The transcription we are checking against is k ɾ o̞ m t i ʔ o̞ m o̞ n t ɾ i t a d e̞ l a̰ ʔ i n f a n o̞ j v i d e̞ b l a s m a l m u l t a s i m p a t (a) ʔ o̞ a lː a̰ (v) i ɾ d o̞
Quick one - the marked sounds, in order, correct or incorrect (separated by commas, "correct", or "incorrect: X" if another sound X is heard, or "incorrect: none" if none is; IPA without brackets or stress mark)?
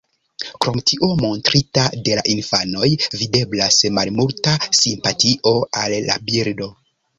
incorrect: i, incorrect: b